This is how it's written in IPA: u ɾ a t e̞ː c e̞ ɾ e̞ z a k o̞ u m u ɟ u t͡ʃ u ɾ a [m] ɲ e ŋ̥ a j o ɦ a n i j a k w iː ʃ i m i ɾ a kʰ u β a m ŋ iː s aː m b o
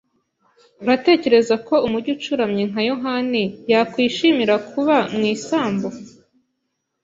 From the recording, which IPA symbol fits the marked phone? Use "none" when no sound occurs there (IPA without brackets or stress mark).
m